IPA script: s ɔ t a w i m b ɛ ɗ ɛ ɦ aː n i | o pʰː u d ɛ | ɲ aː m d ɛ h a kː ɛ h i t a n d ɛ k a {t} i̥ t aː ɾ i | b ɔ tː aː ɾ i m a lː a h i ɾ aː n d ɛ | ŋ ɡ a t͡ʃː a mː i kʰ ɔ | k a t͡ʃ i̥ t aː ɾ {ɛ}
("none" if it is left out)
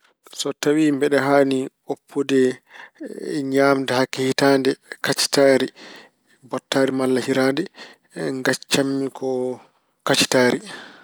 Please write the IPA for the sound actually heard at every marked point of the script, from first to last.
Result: t͡ʃ, i

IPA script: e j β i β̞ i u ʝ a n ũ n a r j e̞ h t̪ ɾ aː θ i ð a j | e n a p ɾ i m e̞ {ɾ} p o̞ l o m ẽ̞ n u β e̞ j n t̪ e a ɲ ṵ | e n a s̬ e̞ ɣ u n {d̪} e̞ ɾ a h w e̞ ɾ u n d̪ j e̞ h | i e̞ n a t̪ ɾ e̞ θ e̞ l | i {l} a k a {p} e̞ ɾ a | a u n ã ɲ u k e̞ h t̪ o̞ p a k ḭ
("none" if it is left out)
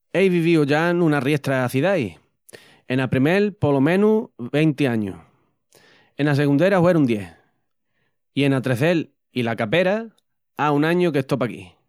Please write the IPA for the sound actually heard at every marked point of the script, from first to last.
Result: l, d̪, l, p

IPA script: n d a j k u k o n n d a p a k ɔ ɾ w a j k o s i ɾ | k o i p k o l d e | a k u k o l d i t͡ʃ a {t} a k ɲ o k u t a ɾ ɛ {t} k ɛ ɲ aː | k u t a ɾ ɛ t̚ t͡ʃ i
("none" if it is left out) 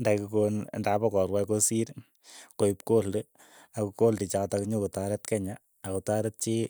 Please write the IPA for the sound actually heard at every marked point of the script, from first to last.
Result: t, t

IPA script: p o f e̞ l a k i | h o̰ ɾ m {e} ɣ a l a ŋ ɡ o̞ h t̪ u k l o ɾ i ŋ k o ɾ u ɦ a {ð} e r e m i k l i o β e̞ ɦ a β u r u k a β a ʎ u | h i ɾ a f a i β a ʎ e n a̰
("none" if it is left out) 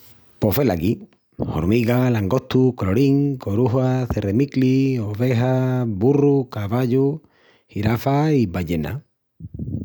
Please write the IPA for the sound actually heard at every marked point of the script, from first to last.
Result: i, θ

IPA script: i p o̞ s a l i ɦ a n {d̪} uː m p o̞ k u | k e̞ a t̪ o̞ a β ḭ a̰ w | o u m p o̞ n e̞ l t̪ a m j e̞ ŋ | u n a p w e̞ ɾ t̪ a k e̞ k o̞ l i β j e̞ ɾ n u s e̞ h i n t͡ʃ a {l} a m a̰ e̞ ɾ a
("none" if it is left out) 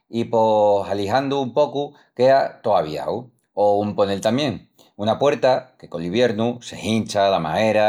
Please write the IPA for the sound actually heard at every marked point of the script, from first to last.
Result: d̪, l

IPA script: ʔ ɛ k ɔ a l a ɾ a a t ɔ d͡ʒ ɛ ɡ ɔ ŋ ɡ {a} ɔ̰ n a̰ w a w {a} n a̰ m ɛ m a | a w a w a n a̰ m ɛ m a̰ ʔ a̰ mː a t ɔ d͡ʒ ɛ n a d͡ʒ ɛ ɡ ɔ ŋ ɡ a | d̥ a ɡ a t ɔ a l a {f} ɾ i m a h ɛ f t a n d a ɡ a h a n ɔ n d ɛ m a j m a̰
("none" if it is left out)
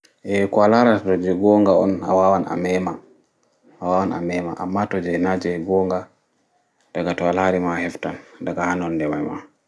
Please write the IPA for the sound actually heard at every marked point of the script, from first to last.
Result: a, a, none

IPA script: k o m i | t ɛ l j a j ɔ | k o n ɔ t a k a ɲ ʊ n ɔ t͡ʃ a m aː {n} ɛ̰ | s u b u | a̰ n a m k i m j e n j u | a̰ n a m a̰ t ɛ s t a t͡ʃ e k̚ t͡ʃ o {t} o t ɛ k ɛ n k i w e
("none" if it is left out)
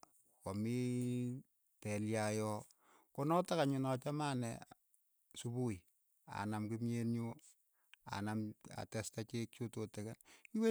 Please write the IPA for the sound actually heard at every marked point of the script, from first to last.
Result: n, t

